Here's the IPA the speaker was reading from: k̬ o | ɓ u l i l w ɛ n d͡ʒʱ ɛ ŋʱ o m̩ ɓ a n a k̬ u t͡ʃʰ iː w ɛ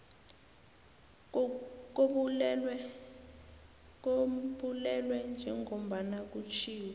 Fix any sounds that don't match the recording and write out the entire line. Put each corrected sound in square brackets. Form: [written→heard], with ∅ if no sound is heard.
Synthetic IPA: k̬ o | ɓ u l [i→ɛ] l w ɛ n d͡ʒʱ ɛ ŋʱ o m̩ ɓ a n a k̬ u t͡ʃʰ iː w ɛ